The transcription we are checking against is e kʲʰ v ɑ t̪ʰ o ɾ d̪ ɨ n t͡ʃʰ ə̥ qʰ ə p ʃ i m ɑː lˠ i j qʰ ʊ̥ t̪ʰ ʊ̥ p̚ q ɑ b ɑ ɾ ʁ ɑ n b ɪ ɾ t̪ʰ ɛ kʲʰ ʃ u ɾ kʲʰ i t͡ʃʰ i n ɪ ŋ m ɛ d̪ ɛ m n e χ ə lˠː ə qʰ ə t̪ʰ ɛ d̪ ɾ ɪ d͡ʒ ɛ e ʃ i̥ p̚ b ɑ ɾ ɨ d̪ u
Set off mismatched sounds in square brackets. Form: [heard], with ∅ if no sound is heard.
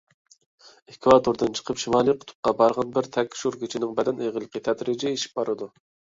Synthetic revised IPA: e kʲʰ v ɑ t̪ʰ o ɾ d̪ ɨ n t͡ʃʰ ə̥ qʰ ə p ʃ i m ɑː lˠ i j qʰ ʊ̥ t̪ʰ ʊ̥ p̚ q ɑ b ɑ ɾ ʁ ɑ n b ɪ ɾ t̪ʰ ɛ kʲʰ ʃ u ɾ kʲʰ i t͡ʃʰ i n ɪ ŋ [b] ɛ d̪ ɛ [∅] n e [ʁ] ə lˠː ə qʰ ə t̪ʰ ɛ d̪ ɾ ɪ d͡ʒ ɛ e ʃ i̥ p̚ b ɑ ɾ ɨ d̪ u